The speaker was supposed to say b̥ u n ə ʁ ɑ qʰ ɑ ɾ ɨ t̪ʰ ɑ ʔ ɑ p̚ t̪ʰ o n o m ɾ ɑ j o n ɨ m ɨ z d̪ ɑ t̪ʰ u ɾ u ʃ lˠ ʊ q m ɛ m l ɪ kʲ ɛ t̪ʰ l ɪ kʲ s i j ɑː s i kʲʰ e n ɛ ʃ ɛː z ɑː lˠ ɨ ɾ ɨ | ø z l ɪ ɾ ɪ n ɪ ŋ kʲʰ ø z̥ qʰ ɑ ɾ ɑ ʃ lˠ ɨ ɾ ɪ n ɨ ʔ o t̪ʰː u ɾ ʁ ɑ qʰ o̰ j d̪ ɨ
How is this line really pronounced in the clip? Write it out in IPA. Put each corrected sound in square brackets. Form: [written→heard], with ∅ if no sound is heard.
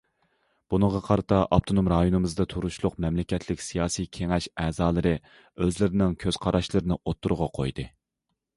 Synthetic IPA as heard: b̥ u n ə ʁ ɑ qʰ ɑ ɾ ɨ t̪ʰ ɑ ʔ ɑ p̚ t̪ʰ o n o m ɾ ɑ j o n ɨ m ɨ z d̪ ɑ t̪ʰ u ɾ u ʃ lˠ ʊ q m ɛ m l ɪ kʲ ɛ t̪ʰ l ɪ kʲ s i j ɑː s i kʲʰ e [n→ŋ] ɛ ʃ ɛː z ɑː lˠ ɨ ɾ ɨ | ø z l ɪ ɾ ɪ n ɪ ŋ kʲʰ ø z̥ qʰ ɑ ɾ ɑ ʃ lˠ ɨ ɾ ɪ n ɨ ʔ o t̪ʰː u ɾ ʁ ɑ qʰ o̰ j d̪ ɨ